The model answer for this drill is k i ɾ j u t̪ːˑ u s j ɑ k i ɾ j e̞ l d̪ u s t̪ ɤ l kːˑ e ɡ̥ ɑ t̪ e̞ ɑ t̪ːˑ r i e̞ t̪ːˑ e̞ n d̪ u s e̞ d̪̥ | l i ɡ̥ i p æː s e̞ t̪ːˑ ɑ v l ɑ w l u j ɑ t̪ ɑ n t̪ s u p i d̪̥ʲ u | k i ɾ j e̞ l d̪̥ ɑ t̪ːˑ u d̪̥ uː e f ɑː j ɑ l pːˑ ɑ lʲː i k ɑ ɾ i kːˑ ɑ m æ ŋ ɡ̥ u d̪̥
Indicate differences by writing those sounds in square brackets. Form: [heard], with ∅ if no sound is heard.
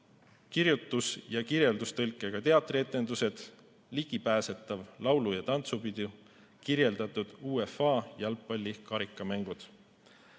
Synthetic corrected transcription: k i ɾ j u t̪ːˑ u s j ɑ k i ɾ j e̞ l d̪ u s t̪ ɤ l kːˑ e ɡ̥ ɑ t̪ e̞ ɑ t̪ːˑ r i e̞ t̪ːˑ e̞ n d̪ u s e̞ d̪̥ | l i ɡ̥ i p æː s e̞ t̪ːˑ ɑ v l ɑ w l u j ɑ t̪ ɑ n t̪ s u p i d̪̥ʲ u | k i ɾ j e̞ l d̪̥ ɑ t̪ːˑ u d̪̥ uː e f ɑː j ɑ l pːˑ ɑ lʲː i k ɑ ɾ i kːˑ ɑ m æ ŋ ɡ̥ u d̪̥

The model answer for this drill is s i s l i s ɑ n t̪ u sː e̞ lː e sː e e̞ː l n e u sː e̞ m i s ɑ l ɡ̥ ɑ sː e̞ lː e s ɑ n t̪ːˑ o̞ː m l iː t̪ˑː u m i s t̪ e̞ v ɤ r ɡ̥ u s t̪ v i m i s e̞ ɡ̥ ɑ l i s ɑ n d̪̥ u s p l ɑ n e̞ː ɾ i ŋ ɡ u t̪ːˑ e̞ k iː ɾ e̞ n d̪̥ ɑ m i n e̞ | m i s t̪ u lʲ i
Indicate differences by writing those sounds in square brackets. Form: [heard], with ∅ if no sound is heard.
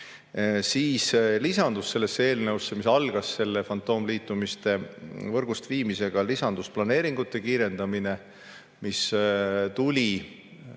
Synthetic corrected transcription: s [iː] s l i s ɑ n [d̪] u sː e̞ lː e sː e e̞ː l n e u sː e̞ m i s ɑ l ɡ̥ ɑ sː e̞ lː e [f] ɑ n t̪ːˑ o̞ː m l iː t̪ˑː u m i s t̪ e̞ v ɤ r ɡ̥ u s t̪ v [iː] m i s e̞ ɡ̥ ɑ l i s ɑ n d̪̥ u s p l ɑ n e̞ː ɾ i ŋ ɡ u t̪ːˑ e̞ k iː ɾ e̞ n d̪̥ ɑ m i n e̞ | m i s t̪ u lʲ i

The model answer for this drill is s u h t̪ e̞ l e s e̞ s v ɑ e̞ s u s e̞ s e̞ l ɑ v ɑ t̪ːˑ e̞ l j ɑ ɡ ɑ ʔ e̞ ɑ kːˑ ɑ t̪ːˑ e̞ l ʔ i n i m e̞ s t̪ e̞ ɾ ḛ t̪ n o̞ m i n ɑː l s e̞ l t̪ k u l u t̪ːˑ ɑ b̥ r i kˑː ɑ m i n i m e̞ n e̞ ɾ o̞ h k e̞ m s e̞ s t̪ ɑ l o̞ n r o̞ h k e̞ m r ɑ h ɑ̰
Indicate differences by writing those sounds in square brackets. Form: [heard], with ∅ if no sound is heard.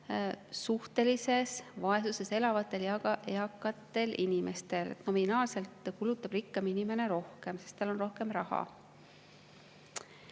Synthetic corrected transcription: s u h t̪ e̞ l [i] s e̞ s v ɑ e̞ s u s e̞ s e̞ l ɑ v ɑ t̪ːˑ e̞ l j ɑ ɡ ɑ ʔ e̞ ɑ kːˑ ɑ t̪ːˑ e̞ l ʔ i n i m e̞ s t̪ e̞ [l] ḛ t̪ n o̞ m i n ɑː l s e̞ l t̪ k u l u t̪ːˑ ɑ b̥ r i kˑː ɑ m i n i m e̞ n e̞ ɾ o̞ h k e̞ m s e̞ s t̪ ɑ l o̞ n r o̞ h k e̞ m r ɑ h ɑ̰

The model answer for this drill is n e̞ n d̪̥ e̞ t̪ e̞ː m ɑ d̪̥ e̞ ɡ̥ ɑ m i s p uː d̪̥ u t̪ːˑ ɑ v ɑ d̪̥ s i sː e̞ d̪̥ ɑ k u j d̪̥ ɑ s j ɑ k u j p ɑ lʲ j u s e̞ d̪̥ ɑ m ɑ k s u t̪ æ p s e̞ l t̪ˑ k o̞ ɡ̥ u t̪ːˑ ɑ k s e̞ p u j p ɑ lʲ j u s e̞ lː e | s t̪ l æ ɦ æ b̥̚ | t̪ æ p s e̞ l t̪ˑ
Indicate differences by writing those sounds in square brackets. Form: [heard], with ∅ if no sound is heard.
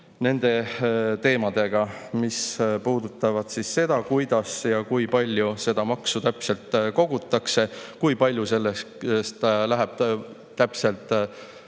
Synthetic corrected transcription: n e̞ n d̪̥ e̞ t̪ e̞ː m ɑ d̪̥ e̞ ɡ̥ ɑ m i s p uː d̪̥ u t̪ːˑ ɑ v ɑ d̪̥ s i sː e̞ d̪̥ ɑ k u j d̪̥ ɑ s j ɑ k u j p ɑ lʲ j u s e̞ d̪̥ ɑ m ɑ k s u t̪ æ p s e̞ l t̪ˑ k o̞ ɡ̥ u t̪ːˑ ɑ k s e̞ [k] u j p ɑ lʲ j u s e̞ lː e | s t̪ l æ ɦ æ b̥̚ | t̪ æ p s e̞ l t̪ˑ

